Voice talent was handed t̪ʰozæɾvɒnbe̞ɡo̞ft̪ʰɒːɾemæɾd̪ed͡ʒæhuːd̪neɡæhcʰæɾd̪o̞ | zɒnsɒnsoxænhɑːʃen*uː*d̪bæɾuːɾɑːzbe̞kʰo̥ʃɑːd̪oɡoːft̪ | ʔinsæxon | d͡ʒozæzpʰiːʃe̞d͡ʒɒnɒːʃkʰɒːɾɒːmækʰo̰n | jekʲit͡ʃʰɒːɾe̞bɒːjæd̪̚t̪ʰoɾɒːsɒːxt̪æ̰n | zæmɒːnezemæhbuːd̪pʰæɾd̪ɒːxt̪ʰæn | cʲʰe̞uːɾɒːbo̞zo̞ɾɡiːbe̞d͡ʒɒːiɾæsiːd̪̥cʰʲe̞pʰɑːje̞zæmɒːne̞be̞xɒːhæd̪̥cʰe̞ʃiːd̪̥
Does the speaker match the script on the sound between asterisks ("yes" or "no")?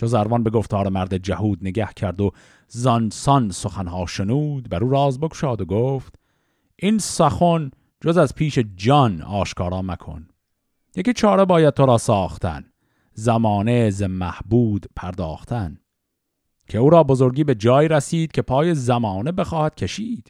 yes